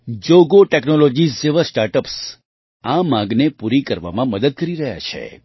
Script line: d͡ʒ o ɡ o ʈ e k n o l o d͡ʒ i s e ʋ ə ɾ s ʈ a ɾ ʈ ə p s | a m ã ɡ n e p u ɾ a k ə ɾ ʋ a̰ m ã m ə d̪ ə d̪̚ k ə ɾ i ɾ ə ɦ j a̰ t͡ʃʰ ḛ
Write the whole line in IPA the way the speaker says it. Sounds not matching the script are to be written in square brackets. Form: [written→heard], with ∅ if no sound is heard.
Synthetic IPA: d͡ʒ o ɡ o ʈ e k n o l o d͡ʒ i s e ʋ ə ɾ s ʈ a ɾ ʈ ə p s | a m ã ɡ n e p u ɾ [a→i] k ə ɾ ʋ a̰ m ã m ə d̪ ə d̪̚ k ə ɾ i ɾ ə ɦ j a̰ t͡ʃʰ ḛ